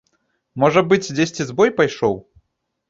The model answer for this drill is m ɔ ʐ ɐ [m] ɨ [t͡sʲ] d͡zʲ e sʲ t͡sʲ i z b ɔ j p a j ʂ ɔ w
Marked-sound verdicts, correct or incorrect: incorrect, correct

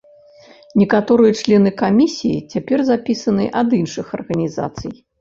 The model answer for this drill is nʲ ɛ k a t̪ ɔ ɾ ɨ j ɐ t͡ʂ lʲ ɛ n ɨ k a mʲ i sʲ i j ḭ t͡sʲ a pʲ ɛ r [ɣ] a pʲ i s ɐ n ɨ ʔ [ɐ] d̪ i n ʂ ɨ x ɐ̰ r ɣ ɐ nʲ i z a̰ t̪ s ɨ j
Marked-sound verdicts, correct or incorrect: incorrect, correct

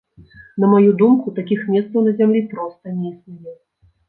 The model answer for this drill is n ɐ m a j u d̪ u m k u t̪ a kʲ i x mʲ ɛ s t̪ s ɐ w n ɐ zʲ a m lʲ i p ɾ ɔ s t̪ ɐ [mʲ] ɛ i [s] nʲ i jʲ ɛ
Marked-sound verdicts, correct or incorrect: incorrect, correct

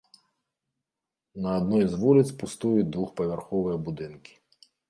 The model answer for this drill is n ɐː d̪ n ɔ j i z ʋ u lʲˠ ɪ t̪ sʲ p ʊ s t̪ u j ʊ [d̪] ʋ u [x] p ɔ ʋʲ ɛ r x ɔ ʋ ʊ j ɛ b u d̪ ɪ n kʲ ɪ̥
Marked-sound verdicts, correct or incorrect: correct, correct

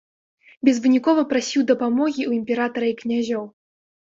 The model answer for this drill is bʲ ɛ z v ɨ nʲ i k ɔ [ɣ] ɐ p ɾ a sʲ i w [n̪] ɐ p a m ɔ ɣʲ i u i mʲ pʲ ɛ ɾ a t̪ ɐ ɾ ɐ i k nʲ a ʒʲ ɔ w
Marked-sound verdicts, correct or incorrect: incorrect, incorrect

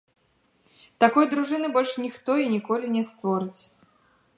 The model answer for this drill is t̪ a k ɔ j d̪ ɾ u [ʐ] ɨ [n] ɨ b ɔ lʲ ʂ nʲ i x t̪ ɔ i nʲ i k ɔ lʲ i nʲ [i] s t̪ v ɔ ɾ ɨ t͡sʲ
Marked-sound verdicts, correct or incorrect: correct, correct, incorrect

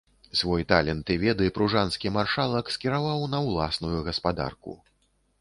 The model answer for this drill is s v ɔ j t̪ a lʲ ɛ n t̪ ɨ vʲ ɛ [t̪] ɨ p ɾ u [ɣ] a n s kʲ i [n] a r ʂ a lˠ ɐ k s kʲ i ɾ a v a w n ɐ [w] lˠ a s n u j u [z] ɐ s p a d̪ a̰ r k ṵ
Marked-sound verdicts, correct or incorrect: incorrect, incorrect, incorrect, correct, incorrect

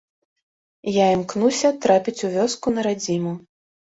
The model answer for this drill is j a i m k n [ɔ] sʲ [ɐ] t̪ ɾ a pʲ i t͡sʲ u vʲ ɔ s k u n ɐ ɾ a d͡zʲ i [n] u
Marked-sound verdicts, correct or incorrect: incorrect, correct, incorrect

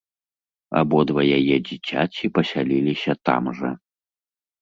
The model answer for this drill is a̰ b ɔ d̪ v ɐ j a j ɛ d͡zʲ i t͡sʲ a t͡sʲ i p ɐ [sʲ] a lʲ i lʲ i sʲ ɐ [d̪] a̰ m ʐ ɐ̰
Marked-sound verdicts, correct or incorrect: correct, incorrect

